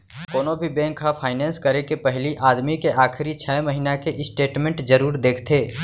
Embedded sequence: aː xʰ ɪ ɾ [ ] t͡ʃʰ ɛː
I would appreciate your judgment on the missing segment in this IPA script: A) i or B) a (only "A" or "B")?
A